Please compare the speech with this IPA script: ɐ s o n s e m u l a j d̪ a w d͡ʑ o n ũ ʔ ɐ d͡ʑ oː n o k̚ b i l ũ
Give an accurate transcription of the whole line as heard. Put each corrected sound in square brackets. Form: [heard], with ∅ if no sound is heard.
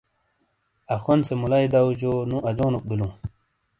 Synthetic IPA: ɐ [x] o n s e m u l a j d̪ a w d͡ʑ o n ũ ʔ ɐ d͡ʑ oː n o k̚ b i l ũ

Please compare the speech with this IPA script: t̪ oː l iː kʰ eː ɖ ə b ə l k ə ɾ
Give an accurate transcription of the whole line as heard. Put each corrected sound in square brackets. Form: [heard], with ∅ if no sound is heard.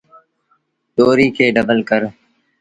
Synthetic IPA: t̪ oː [ɾ] iː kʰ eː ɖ ə b ə l k ə ɾ

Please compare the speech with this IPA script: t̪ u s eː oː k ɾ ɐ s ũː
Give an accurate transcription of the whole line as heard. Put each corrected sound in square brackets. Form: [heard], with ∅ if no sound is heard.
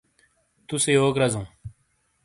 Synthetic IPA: t̪ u s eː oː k ɾ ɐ [z] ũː

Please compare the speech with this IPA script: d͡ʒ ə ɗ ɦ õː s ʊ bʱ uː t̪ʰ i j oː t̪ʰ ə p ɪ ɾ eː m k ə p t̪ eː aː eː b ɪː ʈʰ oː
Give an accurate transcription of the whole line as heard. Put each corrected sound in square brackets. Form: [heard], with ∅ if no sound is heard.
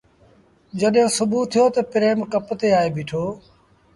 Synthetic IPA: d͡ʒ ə ɗ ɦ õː s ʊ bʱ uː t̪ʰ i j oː [t̪] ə p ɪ ɾ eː m k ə p t̪ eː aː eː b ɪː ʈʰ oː

